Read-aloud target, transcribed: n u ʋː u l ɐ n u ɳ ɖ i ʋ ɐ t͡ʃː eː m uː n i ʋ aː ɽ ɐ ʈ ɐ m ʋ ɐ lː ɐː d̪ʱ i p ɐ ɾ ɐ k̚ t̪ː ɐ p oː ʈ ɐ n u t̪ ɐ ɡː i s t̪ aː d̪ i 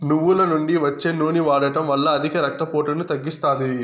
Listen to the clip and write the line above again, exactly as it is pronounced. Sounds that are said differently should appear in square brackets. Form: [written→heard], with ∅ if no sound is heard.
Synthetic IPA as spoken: n u ʋː u l ɐ n u ɳ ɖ i ʋ ɐ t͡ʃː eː [m→n] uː n i ʋ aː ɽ ɐ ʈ ɐ m ʋ ɐ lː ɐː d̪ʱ i [p→k] ɐ ɾ ɐ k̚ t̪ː ɐ p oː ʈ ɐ n u t̪ ɐ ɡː i s t̪ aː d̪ i